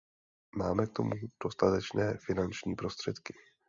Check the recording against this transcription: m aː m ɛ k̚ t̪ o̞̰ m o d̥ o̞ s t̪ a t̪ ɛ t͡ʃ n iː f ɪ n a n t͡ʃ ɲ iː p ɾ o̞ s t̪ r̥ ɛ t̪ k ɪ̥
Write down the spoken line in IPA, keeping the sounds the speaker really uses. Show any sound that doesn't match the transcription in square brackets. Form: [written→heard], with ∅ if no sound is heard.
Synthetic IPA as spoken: m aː m ɛ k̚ t̪ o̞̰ m [o→u] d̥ o̞ s t̪ a t̪ ɛ t͡ʃ n [iː→ɛː] f ɪ n a n t͡ʃ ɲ iː p ɾ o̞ s t̪ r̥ ɛ t̪ k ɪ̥